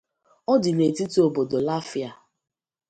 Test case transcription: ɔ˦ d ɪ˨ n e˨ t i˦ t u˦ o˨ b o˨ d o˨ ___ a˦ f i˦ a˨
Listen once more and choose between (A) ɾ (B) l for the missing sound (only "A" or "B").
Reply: B